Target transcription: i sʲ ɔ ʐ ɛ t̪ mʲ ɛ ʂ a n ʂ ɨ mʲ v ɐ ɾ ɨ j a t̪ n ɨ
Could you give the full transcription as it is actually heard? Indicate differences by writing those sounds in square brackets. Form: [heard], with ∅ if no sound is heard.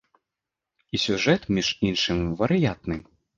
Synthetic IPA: i sʲ [u] ʐ ɛ t̪ mʲ [i] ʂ [i] n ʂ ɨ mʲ v ɐ ɾ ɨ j a t̪ n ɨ